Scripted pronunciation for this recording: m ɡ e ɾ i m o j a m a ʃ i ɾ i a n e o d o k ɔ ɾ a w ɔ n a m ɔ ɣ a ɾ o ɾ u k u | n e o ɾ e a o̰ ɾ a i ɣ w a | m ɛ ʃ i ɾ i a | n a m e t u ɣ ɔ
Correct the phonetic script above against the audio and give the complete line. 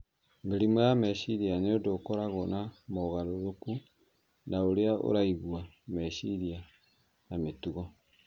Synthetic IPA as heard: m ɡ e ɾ i m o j a m ɛ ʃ i ɾ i a n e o d o k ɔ ɾ a ɣ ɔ n a m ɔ ɣ a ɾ o ɾ o k u | n a o ɾ e a o̰ ɾ a i ɣ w a | m ɛ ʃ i ɾ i a | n a m e t u ɣ ɔ

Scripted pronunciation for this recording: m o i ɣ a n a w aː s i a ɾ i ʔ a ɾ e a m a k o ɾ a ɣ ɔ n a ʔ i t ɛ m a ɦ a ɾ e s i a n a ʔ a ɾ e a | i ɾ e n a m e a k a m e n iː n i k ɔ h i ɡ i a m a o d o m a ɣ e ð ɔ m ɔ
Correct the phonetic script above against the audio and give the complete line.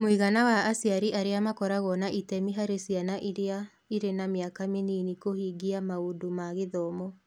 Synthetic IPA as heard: m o i ɣ a n a w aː s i a ɾ i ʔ a ɾ e a m a k ɔ ɾ a ɣ ɔ n a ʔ i t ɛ m i ɦ a ɾ e s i a n a ʔ i ɾ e a | i ɾ e n a m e a k a m e n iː n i k o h i ɡ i a m a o d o m a ɣ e ð ɔ m ɔ

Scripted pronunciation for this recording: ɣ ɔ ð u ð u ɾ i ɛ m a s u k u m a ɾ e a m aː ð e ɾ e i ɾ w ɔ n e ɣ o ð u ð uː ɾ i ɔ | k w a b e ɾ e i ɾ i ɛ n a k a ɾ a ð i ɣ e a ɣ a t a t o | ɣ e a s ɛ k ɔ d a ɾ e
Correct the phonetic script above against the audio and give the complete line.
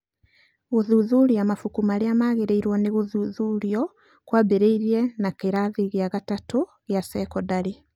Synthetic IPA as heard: ɣ o ð u ð u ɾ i a m a f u k u m a ɾ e a m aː ɣ e ɾ e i ɾ w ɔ n e ɣ o ð u ð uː ɾ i ɔ | k w a b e ɾ e i ɾ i ɛ n a k e ɾ a ð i ɣ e a ɣ a t a t o | ɣ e a s ɛ k ɔ d a ɾ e

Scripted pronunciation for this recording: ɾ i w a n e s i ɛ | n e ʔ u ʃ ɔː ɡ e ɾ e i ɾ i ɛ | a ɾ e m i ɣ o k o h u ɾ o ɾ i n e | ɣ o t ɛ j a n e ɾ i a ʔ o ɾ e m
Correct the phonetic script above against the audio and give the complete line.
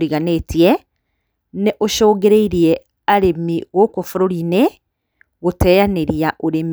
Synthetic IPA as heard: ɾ i ɣ a n e t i ɛ | n e ʔ o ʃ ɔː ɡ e ɾ e i ɾ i ɛ | a ɾ e m i ɣ o k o f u ɾ o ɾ i n e | ɣ o t ɛ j a n e ɾ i a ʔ o ɾ e m

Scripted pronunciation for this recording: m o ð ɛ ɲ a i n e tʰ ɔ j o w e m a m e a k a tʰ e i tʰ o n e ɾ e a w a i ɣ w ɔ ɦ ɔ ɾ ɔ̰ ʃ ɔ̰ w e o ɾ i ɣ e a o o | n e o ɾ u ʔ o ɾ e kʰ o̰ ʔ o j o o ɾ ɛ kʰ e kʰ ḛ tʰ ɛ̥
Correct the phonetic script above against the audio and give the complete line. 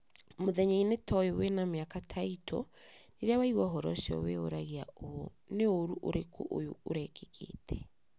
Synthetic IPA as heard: m o ð ɛ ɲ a i n e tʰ ɔ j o w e n a m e a k a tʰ a i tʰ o n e ɾ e a w a i ɣ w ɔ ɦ ɔ ɾ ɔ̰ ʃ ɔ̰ w e o ɾ a ɣ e a o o | n e o ɾ u ʔ o ɾ e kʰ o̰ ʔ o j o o ɾ ɛ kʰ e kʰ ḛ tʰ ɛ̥

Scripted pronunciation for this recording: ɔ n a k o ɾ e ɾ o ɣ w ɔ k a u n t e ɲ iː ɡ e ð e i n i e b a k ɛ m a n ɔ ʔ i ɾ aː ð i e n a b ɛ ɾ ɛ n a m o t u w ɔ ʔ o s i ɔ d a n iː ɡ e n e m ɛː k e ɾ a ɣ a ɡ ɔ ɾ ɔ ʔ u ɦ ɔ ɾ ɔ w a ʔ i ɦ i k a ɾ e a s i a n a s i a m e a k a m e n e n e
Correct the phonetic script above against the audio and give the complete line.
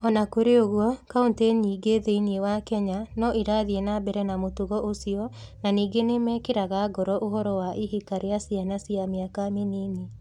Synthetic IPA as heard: ɔ n a k o ɾ e o ɣ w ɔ k a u n t e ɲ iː ɡ e ð e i n i e w a k ɛ ɲ a n ɔ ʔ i ɾ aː ð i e n a b ɛ ɾ ɛ n a m o t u ɣ ɔ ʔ o s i ɔ n a n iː ɡ e n e m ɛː k e ɾ a ɣ a ɡ ɔ ɾ ɔ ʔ o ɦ ɔ ɾ ɔ w a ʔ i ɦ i k a ɾ e a s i a n a s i a m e a k a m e n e n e

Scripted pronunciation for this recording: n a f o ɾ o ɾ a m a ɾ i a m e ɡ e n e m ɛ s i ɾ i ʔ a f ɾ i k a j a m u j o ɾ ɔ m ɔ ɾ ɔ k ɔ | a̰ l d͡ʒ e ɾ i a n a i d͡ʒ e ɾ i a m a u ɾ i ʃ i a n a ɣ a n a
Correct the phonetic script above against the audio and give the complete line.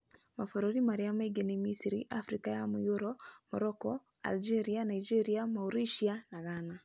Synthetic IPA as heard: m a f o ɾ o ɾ i m a ɾ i a m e ɡ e n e m i s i ɾ i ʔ a f ɾ i k a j a m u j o ɾ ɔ m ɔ ɾ ɔ k ɔ | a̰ l d͡ʒ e ɾ i a n a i d͡ʒ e ɾ i a m a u ɾ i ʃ i a n a ɣ a n a

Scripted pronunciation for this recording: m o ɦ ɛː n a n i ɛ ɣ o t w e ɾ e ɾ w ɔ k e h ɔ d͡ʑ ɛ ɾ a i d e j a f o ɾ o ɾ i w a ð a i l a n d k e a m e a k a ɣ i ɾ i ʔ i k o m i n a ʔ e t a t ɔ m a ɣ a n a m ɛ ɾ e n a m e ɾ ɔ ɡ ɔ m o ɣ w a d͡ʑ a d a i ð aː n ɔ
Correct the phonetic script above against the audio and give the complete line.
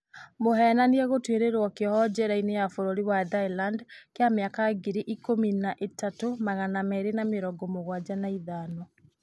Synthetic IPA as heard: m o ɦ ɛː n a n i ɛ ɣ o t w e ɾ e ɾ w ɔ k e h ɔ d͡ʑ ɛ ɾ a i n e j a f o ɾ o ɾ i w a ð a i l a n d k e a m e a k a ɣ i ɾ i ʔ i k o m i n a ʔ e t a t o m a ɣ a n a m ɛ ɾ e n a m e ɾ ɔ ɡ ɔ m o ɣ w a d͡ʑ a n a i ð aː n ɔ

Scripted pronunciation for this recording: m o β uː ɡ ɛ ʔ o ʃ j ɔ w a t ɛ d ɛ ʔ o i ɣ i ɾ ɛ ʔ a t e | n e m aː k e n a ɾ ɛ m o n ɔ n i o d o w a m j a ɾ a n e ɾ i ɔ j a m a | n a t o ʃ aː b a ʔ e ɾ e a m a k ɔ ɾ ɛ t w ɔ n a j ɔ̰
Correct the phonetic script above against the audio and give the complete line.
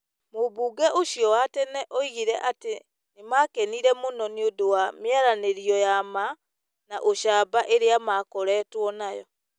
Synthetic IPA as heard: m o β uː ɡ ɛ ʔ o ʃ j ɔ w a t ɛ n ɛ ʔ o i ɣ i ɾ ɛ ʔ a t e | n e m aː k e n i ɾ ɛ m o n ɔ n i o d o w a m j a ɾ a n e ɾ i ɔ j a m a | n a ʔ o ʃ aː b a ʔ e ɾ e a m a k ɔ ɾ ɛ t w ɔ n a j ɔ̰

